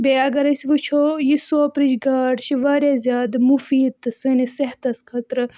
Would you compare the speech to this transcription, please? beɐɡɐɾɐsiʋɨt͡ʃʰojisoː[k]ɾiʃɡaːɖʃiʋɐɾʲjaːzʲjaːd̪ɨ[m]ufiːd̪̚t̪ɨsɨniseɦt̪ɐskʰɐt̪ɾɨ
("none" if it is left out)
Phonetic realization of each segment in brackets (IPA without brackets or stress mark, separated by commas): p, m